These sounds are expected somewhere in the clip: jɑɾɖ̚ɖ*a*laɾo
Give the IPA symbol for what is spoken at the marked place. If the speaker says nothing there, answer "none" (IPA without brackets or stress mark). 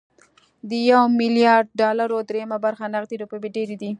ɑ